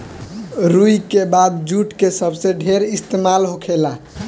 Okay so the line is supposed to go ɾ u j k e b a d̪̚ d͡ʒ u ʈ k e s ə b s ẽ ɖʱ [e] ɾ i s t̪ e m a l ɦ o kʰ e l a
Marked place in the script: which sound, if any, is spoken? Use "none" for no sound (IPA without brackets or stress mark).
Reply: e